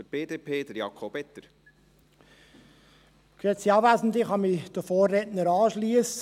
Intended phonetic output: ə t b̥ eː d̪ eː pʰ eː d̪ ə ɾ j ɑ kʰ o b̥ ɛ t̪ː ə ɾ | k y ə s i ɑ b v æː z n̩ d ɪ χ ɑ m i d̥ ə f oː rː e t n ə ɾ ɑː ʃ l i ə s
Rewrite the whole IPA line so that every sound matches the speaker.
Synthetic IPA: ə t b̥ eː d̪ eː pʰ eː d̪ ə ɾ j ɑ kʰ o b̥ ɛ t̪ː ə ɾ | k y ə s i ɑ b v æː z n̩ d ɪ χ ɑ m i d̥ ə f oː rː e t n ə ɾ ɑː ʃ l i ə s